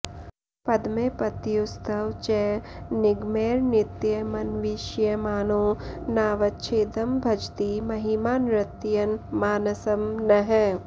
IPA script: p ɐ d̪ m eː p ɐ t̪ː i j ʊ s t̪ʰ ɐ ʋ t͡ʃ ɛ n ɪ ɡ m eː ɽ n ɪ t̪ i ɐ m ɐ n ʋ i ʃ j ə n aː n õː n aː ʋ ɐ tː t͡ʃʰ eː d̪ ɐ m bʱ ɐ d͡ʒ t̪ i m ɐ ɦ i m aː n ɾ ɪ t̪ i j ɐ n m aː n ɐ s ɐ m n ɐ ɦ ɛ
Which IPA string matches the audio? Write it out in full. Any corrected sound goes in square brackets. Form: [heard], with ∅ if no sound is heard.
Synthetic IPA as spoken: p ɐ d̪ m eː p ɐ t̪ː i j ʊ s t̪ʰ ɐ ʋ t͡ʃ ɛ n ɪ ɡ m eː [ɾ] n ɪ t̪ [j] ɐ m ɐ n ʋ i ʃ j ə [m] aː n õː n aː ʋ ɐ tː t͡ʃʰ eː d̪ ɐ m bʱ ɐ d͡ʒ t̪ i m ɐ ɦ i m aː n ɾ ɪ t̪ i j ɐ n m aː n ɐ s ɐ m n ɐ ɦ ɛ